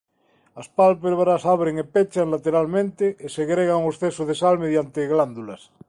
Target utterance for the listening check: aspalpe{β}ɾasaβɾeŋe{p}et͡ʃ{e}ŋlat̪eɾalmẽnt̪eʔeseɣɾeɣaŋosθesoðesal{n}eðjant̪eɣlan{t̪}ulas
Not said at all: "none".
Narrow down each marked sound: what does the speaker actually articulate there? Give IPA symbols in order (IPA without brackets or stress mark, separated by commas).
β, p, a, m, d̪